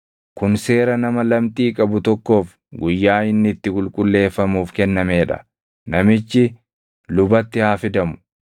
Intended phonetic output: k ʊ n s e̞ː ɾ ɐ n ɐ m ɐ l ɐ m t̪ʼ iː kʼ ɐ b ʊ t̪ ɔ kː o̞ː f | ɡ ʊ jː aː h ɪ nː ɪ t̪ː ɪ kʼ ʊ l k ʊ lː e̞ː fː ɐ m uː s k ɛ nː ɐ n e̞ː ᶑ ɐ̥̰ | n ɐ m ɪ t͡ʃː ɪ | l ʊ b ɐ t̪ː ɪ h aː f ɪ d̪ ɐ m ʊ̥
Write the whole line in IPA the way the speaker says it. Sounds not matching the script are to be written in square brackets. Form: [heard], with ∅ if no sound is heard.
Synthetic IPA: k ʊ n s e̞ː ɾ ɐ n ɐ m ɐ l ɐ m t̪ʼ iː kʼ ɐ b ʊ t̪ ɔ kː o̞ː f | ɡ ʊ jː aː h ɪ nː ɪ t̪ː ɪ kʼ ʊ l [kʼ] ʊ lː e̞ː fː ɐ m uː [f] k ɛ nː ɐ [m] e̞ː ᶑ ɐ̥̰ | n ɐ m ɪ t͡ʃː ɪ | l ʊ b ɐ t̪ː ɪ h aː f ɪ d̪ ɐ m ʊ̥